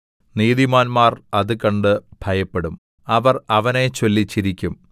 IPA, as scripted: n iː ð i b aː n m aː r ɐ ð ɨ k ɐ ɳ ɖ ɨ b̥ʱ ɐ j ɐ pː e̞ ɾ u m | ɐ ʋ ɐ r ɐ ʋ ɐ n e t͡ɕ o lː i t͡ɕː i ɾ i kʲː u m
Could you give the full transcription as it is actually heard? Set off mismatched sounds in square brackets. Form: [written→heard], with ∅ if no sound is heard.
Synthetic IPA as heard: n iː ð i [b→m] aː n m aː r ɐ ð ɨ k ɐ ɳ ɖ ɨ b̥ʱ ɐ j ɐ pː e̞ [ɾ→ɽ] u m | ɐ ʋ ɐ r ɐ ʋ ɐ n e t͡ɕ o lː i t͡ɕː i ɾ i kʲː u m